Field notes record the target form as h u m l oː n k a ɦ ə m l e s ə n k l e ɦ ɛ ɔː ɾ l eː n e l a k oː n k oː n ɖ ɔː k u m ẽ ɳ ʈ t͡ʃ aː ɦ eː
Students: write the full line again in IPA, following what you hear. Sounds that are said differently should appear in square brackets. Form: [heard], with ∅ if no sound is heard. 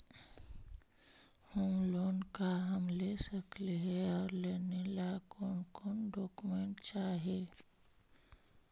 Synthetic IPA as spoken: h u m l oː n k a ɦ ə m l e s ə [∅] k l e ɦ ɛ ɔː ɾ l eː n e l a k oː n k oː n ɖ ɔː k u m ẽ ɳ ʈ t͡ʃ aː ɦ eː